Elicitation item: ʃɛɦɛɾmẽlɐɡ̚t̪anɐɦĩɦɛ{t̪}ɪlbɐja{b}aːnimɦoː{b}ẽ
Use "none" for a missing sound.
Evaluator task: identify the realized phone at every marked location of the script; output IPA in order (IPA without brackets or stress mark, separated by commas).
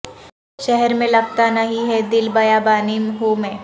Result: d̪, b, m